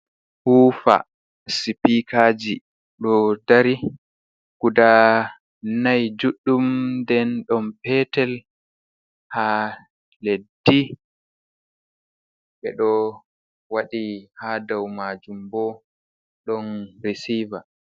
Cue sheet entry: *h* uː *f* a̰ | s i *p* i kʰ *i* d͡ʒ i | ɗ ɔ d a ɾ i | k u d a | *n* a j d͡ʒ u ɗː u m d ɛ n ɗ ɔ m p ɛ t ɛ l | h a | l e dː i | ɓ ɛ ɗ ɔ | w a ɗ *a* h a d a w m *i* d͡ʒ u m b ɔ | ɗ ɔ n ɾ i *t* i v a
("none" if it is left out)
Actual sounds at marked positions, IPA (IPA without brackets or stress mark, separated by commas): h, f, p, a, n, i, a, s